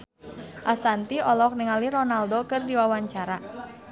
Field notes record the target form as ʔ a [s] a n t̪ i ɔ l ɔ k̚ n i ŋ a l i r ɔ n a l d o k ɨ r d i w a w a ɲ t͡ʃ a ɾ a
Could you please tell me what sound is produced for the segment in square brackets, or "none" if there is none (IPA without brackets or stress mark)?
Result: s